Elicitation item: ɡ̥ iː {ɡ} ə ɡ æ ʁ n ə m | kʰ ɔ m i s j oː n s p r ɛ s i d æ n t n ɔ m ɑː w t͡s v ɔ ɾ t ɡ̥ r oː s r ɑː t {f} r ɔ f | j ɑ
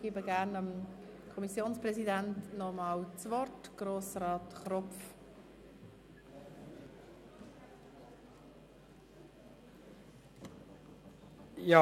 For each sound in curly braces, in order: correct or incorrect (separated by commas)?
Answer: incorrect, incorrect